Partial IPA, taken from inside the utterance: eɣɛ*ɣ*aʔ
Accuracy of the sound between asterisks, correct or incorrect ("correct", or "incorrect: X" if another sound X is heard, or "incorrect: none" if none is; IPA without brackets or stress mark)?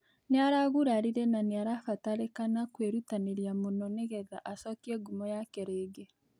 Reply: incorrect: ð